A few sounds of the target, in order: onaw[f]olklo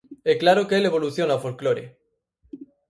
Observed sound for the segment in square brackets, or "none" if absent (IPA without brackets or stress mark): f